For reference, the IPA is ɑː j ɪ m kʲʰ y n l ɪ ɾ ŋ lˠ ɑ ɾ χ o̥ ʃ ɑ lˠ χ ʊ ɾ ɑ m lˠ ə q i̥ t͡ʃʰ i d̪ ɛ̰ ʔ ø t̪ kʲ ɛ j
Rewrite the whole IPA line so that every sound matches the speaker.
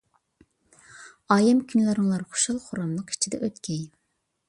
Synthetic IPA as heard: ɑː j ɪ m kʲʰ y n l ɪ ɾ ŋ lˠ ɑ ɾ χ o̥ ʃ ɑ lˠ χ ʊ ɾ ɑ m lˠ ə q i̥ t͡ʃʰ i d̪ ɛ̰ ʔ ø t̪ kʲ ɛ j